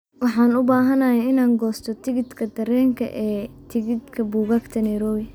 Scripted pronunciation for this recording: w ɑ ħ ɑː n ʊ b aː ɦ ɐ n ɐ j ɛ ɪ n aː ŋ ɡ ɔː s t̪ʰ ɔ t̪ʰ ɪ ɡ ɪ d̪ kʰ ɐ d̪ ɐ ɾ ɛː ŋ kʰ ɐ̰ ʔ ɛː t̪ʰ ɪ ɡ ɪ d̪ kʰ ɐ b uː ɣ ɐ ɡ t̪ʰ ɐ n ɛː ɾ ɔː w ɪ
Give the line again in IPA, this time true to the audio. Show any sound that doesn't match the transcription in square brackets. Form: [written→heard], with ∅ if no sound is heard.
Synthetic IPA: w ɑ ħ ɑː n ʊ b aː ɦ ɐ n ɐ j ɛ ɪ n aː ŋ ɡ ɔː s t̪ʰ ɔ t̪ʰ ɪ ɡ ɪ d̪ kʰ ɐ d̪ ɐ ɾ ɛː ŋ kʰ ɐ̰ ʔ ɛː t̪ʰ ɪ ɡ ɪ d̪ kʰ ɐ b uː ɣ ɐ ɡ t̪ʰ ɐ n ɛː ɾ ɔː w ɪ